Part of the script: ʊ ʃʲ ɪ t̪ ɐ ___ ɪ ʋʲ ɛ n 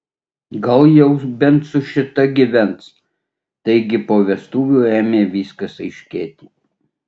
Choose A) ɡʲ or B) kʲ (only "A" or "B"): A